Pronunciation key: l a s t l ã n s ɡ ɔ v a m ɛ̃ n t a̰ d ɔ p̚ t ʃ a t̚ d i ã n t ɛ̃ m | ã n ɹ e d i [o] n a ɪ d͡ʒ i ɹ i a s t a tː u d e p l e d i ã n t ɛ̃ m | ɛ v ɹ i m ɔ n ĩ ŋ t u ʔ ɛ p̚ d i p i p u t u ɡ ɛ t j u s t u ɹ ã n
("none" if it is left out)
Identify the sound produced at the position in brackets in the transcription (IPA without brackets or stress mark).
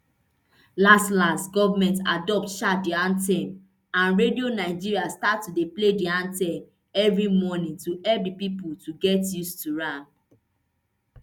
o